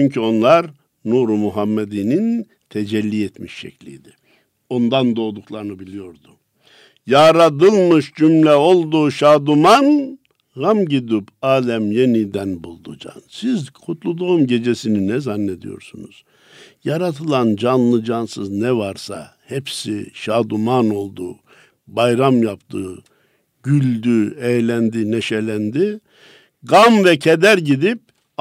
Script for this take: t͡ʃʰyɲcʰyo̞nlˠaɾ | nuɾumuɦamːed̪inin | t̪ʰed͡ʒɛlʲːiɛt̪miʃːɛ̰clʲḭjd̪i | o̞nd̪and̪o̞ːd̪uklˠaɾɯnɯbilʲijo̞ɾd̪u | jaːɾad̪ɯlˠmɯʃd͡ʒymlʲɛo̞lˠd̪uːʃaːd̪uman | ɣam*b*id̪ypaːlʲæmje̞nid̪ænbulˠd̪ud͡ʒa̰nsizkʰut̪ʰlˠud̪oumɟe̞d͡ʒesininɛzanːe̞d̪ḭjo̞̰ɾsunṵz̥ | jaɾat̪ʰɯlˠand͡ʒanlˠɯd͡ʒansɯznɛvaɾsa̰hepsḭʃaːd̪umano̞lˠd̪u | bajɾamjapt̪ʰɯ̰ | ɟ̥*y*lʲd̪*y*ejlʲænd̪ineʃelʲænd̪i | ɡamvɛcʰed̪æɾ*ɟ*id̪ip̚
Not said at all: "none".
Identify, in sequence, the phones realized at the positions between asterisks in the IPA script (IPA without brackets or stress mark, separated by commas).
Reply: ɟ, y, y, ɟ